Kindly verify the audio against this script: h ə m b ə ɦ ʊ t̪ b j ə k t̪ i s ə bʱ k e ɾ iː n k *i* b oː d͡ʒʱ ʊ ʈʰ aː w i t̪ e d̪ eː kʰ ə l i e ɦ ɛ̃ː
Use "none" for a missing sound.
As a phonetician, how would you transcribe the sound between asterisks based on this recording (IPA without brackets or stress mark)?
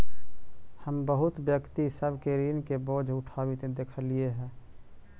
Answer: e